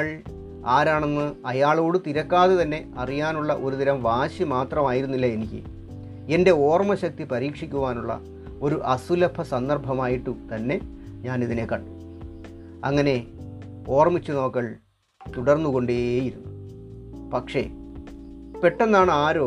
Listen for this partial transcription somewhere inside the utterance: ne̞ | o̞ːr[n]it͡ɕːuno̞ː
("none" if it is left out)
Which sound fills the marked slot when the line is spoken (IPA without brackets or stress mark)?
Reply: m